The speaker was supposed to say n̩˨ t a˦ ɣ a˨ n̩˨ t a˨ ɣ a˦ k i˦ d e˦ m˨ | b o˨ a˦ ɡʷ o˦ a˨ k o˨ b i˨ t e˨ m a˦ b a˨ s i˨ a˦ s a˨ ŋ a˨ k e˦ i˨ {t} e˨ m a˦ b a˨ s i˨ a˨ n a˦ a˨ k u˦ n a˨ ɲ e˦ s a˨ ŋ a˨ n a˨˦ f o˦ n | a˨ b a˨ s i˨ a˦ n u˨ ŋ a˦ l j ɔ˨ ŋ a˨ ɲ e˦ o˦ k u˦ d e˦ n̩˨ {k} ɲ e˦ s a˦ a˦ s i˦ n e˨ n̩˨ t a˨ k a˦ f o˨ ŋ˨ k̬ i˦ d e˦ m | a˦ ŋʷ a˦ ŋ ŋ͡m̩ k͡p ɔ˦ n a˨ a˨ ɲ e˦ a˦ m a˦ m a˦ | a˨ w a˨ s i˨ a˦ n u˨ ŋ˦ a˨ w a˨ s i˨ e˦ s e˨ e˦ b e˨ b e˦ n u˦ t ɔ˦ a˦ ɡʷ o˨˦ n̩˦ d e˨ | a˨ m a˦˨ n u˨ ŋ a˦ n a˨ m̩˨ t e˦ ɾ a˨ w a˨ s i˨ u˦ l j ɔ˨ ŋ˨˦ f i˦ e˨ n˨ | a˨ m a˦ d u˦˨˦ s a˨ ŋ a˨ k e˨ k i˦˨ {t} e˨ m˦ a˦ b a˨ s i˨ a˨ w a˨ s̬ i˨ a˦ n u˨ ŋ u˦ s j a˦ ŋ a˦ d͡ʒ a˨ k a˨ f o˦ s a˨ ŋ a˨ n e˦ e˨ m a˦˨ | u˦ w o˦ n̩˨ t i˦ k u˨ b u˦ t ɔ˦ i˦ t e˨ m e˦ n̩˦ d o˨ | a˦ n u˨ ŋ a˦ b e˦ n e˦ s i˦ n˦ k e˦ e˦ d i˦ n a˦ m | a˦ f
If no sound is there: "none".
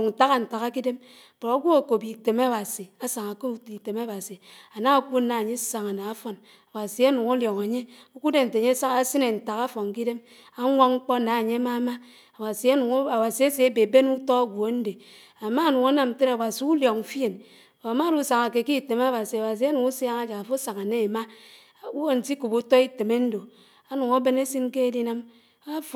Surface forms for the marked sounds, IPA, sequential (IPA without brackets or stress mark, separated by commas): t, t, t